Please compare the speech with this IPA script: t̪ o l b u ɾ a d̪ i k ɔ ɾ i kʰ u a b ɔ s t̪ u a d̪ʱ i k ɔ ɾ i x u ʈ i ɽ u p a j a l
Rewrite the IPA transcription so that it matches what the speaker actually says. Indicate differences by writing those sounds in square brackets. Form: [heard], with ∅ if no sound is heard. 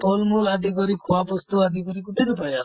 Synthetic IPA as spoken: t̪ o l [m] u [l] a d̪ i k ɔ ɾ i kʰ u a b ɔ s t̪ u a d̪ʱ i k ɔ ɾ i [k] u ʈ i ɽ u p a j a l